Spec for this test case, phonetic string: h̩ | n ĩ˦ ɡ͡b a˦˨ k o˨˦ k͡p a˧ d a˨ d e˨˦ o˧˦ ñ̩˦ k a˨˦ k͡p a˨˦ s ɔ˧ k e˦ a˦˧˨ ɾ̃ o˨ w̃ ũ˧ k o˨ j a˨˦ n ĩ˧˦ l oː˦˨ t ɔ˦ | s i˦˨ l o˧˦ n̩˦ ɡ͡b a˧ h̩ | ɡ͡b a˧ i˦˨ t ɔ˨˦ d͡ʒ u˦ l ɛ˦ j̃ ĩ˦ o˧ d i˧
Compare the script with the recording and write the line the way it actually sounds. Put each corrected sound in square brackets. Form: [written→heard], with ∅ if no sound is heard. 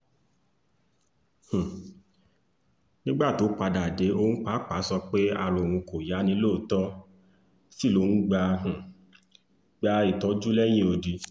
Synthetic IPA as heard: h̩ | n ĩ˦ ɡ͡b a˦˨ [k→t] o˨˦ k͡p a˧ d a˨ d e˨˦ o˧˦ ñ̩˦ [k→k͡p] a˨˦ k͡p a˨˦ s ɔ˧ [k→k͡p] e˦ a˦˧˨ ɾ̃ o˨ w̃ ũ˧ k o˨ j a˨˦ n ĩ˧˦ l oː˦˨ t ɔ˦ | s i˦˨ l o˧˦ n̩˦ ɡ͡b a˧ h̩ | ɡ͡b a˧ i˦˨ t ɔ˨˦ d͡ʒ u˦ l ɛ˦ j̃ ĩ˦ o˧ d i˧